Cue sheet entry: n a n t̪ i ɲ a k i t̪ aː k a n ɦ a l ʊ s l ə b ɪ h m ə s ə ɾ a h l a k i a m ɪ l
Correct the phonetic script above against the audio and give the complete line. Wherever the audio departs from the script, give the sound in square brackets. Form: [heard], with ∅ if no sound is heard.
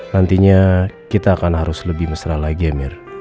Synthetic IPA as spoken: n a n t̪ i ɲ a k i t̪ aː k a n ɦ a [ɾ] ʊ s l ə b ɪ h m ə s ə ɾ a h l a [ɡ] i a m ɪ [r]